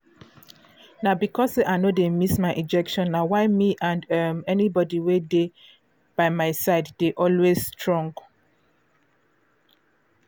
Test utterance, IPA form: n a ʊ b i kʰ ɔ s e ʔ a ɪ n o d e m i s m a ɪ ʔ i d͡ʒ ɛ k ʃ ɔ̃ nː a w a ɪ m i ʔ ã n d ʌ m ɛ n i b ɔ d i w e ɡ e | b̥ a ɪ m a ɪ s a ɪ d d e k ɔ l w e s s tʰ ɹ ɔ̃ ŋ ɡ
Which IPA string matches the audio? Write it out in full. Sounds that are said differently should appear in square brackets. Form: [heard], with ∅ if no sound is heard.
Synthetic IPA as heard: n a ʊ b i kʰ ɔ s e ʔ a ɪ n o d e m i s m a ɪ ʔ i d͡ʒ ɛ k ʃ ɔ̃ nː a w a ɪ m i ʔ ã n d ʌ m ɛ n i b ɔ d i w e [d] e | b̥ a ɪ m a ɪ s a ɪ d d e [ʔ] ɔ l w e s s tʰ ɹ ɔ̃ ŋ ɡ